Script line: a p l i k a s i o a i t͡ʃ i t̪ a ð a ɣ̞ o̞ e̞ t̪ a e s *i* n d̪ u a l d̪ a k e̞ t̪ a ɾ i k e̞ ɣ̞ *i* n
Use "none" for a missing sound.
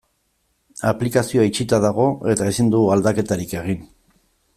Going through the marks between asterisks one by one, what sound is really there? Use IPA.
i, i

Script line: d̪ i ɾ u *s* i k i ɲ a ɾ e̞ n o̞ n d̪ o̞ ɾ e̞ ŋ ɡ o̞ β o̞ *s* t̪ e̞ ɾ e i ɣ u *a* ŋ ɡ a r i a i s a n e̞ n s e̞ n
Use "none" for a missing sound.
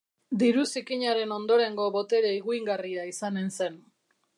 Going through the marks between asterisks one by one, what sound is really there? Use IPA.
s, none, i

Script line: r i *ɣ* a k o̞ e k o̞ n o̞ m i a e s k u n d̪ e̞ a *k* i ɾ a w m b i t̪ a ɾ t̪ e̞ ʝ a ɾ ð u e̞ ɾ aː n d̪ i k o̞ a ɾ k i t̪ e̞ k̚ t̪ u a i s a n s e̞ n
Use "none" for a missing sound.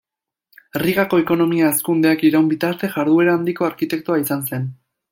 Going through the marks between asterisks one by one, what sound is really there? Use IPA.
ɣ, k

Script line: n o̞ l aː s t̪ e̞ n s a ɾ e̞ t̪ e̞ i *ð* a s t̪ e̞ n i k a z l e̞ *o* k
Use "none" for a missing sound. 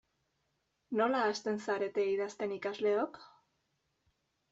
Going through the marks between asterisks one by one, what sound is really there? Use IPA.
ð, o

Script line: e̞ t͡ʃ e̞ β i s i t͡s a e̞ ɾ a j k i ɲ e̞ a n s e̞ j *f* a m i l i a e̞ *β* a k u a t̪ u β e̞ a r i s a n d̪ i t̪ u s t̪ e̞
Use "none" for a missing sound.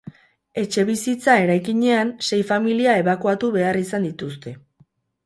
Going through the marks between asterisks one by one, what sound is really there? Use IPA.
f, β

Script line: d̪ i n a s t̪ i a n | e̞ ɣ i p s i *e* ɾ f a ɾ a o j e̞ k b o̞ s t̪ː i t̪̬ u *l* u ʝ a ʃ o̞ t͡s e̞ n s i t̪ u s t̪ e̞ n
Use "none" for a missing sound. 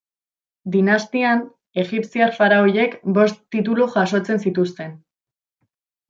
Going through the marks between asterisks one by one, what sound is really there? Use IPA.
a, l

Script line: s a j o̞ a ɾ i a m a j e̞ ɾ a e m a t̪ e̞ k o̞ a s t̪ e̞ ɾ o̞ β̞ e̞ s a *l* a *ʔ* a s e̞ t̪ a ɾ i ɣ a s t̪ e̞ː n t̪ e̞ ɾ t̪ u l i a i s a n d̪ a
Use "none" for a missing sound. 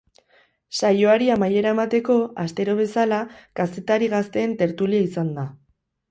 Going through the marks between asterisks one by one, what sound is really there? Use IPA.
l, k

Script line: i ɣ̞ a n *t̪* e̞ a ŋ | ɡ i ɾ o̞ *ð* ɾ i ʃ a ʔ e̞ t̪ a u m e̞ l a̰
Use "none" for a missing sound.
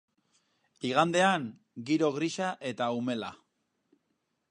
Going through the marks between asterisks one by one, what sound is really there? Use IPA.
d̪, ɣ

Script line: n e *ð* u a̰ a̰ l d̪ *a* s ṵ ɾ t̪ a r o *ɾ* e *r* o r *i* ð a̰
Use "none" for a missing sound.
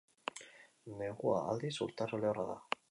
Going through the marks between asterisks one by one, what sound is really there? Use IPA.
ɣ, i, l, none, a

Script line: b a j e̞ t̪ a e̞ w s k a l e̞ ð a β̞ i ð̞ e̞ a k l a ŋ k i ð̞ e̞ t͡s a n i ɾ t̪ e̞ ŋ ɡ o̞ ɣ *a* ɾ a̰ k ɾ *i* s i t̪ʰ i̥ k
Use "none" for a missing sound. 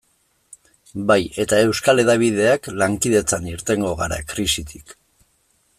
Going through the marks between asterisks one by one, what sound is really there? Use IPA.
a, i

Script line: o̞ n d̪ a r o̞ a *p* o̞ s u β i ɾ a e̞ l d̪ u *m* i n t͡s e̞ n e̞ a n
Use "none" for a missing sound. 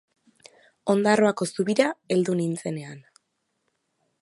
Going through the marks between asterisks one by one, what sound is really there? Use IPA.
k, n

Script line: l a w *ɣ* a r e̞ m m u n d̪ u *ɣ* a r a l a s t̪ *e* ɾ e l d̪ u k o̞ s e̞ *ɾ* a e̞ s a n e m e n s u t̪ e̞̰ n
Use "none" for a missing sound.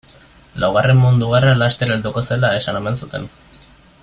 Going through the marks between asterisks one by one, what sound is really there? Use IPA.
ɣ, ɣ, e, l

